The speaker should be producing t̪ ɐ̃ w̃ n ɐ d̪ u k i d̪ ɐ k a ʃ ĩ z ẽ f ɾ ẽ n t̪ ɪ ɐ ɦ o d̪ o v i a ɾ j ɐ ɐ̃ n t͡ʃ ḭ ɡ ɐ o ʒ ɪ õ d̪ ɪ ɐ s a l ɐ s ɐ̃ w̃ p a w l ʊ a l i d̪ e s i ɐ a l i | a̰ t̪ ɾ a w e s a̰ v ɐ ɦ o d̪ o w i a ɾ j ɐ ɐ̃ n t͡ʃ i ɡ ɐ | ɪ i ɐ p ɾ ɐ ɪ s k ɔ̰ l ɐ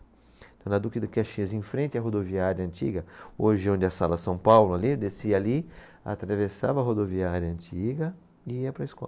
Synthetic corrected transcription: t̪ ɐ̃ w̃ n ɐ d̪ u k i d̪ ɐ k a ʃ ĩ z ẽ f ɾ ẽ n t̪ ɪ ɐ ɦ o d̪ o v i a ɾ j ɐ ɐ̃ n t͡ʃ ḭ ɡ ɐ o ʒ ɪ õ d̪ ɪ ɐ s a l ɐ s ɐ̃ w̃ p a w l ʊ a l i d̪ e s i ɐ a l i | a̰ t̪ ɾ a v e s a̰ v ɐ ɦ o d̪ o v i a ɾ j ɐ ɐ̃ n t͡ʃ i ɡ ɐ | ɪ i ɐ p ɾ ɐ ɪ s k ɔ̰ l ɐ

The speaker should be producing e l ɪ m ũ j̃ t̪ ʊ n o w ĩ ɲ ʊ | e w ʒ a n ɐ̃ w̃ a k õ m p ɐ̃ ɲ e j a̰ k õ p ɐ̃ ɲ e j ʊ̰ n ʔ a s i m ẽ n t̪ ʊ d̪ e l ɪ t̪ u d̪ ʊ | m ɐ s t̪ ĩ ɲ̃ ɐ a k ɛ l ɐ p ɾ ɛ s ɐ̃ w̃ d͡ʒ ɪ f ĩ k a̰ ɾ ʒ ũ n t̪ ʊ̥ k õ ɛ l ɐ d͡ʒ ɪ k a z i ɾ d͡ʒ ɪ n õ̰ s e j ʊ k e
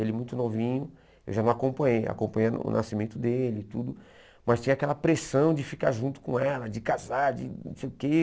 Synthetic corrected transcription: e l ɪ m ũ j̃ t̪ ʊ n o v ĩ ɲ ʊ | e w ʒ a n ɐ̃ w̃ a k õ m p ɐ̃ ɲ e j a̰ k õ p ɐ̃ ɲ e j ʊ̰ n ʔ a s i m ẽ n t̪ ʊ d̪ e l ɪ t̪ u d̪ ʊ | m ɐ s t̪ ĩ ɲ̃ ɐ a k ɛ l ɐ p ɾ e s ɐ̃ w̃ d͡ʒ ɪ f i k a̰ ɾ ʒ ũ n t̪ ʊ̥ k õ ɛ l ɐ d͡ʒ ɪ k a z a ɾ d͡ʒ ɪ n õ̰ s e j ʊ k e

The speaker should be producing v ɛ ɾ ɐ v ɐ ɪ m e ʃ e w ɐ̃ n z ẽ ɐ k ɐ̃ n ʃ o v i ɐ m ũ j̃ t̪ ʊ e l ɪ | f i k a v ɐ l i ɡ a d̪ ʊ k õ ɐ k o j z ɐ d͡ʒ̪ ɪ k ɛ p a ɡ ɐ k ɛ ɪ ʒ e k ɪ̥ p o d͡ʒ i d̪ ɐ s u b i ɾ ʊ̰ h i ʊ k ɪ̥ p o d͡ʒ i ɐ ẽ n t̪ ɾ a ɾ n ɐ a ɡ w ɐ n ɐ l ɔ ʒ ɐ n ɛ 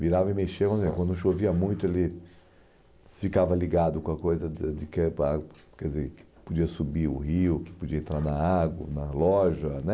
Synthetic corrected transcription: v i ɾ a v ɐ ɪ m e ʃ e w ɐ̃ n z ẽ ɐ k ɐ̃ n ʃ o v i ɐ m ũ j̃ t̪ ʊ e l ɪ | f i k a v ɐ l i ɡ a d̪ ʊ k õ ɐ k o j z ɐ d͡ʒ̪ ɪ k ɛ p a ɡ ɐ k ɛ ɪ z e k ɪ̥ p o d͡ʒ i ɐ s u b i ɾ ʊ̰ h i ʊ k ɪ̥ p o d͡ʒ i ɐ ẽ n t̪ ɾ a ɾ n ɐ a ɡ w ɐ n ɐ l ɔ ʒ ɐ n ɛ

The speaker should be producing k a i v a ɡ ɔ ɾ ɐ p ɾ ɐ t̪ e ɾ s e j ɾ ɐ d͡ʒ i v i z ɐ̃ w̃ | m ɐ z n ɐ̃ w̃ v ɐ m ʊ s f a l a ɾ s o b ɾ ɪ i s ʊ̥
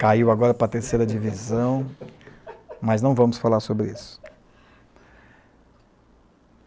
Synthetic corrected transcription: k a i w a ɡ ɔ ɾ ɐ p ɾ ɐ t̪ e ɾ s e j ɾ ɐ d͡ʒ i v i z ɐ̃ w̃ | m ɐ z n ɐ̃ w̃ v ɐ̃ m ʊ s f a l a ɾ s o b ɾ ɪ i s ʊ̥

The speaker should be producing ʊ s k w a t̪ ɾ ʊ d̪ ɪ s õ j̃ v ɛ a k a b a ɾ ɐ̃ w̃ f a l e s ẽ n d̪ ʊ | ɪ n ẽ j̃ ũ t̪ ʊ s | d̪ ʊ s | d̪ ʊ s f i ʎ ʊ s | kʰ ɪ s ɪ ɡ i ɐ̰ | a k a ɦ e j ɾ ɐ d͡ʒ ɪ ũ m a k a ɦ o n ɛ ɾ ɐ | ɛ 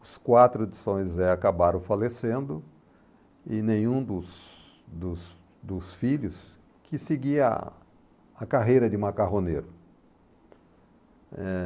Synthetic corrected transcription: ʊ s k w a t̪ ɾ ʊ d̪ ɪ s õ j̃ z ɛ a k a b a ɾ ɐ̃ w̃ f a l e s ẽ n d̪ ʊ | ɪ n ẽ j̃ ũ d̪ ʊ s | d̪ ʊ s | d̪ ʊ s f i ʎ ʊ s | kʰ ɪ s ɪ ɡ i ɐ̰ | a k a ɦ e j ɾ ɐ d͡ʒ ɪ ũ m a k a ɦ o n e ɾ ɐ | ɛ

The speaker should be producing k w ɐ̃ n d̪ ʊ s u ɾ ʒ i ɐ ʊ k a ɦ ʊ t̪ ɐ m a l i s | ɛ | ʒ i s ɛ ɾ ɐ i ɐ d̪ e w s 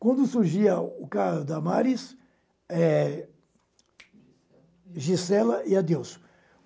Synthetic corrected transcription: k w ɐ̃ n d̪ ʊ s u ɾ ʒ i ɐ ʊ k a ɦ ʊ d̪ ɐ m a ɾ i s | ɛ | ʒ i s ɛ l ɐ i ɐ d̪ e w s

